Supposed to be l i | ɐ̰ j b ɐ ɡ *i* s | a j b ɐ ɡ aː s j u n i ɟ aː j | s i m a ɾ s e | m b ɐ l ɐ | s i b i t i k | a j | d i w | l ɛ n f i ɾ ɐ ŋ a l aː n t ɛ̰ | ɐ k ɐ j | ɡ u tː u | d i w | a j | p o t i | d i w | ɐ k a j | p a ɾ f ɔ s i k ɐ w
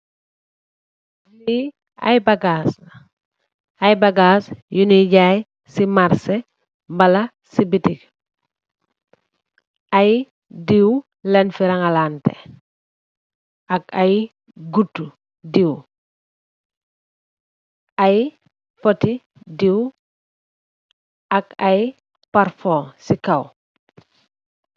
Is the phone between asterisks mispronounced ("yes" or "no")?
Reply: yes